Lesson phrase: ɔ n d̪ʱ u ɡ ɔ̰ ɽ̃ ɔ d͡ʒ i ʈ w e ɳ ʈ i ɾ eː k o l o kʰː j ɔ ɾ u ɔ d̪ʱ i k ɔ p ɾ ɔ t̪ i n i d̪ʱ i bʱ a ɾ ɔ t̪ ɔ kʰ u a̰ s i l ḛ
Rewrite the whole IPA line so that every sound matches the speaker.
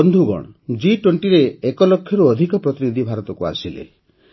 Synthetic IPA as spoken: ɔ n d̪ʱ u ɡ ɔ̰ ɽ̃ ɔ d͡ʒ i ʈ w e ɳ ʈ i ɾ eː k ɔ l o kʰː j ɔ ɾ u ɔ d̪ʱ i k ɔ p ɾ ɔ t̪ i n i d̪ʱ i bʱ a ɾ ɔ t̪ ɔ k u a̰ s i l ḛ